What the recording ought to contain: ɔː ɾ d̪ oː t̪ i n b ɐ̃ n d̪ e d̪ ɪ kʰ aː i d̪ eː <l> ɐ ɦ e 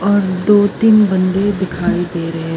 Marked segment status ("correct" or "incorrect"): incorrect